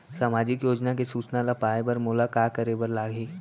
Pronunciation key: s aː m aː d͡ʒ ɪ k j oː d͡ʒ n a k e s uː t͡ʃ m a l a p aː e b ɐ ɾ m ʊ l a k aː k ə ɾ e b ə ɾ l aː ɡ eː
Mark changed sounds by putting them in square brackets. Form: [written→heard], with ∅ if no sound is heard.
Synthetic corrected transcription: s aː m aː d͡ʒ ɪ k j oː d͡ʒ n a k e s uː t͡ʃ [m→n] a l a p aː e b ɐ ɾ m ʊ l a k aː k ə ɾ e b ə ɾ l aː ɡ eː